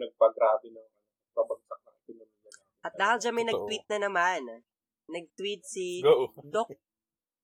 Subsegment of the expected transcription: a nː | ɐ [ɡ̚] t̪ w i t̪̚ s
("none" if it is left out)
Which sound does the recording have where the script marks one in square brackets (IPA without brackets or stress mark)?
ɡ̚